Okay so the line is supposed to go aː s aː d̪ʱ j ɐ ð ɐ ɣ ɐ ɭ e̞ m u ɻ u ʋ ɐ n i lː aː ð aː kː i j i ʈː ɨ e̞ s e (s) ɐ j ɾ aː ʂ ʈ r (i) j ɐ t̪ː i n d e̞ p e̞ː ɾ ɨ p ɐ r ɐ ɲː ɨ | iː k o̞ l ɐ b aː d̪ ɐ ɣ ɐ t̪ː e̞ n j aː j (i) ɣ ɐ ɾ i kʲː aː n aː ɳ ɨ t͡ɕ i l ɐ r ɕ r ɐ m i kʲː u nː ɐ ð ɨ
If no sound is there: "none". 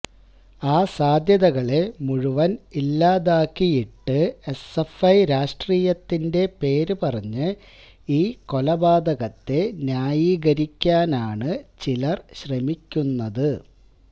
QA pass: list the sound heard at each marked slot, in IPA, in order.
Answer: f, iː, iː

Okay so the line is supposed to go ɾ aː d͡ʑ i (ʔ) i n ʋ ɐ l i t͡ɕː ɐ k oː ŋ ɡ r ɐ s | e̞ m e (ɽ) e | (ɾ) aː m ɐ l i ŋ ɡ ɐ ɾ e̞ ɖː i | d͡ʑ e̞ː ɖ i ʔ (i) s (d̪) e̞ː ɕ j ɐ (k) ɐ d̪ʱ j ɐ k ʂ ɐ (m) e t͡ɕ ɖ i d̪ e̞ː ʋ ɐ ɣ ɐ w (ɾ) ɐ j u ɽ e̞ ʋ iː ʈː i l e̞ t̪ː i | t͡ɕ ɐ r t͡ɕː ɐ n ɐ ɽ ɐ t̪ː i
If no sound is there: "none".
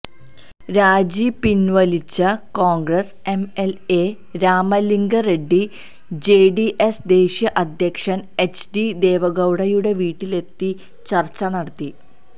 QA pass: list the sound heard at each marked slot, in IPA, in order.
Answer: p, l, ɾ, e, d̪, ʔ, n, ɽ

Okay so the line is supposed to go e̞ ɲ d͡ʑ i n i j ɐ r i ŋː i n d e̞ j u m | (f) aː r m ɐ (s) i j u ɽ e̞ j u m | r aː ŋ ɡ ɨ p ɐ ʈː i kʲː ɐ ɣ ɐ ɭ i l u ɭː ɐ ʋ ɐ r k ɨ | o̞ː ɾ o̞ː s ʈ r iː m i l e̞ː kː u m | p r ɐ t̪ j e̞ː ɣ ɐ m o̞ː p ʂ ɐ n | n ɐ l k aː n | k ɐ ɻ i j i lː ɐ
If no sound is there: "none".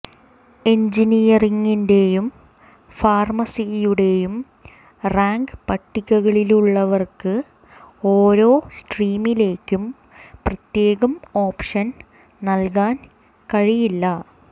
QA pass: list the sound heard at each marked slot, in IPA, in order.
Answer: f, s

